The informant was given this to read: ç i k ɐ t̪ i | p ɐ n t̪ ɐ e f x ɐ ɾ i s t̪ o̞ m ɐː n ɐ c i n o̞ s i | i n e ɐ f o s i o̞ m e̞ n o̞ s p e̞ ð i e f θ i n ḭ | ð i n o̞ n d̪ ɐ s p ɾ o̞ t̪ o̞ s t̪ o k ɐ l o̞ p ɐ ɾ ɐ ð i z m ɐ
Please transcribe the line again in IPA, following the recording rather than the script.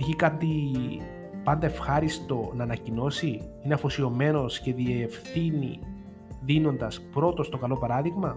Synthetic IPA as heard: ç i k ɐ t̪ i | p ɐ n d̪ ɐ e f x ɐ ɾ i s t̪ o̞ n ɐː n ɐ c i n o̞ s i | i n e ɐ f o s i o̞ m e̞ n o̞ s c e̞ ð i e f θ i n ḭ | ð i n o̞ n d̪ ɐ s p ɾ o̞ t̪ o̞ s t̪ o k ɐ l o̞ p ɐ ɾ ɐ ð i ɣ m ɐ